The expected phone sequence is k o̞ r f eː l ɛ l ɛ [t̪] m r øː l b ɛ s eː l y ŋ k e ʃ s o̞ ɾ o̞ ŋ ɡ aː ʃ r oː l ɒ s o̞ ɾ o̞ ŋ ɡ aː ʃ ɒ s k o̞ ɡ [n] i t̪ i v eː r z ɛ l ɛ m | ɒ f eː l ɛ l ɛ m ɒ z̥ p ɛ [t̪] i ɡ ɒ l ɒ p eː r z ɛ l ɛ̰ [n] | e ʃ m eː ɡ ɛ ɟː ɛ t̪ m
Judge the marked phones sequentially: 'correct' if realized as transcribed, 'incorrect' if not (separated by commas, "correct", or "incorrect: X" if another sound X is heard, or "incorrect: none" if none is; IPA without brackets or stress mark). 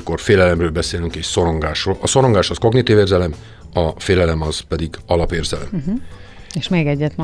incorrect: none, correct, incorrect: d̪, incorrect: m